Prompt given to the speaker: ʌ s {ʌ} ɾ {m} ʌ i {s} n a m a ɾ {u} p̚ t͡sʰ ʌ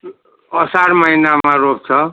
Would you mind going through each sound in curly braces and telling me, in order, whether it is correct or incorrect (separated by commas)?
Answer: incorrect, correct, incorrect, incorrect